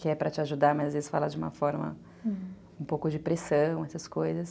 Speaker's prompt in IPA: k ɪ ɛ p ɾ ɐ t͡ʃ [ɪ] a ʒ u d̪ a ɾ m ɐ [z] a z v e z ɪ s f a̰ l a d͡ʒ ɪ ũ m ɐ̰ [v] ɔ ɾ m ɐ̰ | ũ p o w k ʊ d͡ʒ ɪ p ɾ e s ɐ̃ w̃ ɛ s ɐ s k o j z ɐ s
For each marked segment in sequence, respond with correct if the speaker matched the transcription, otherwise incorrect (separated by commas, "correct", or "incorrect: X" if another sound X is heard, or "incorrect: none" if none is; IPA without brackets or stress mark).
correct, correct, incorrect: f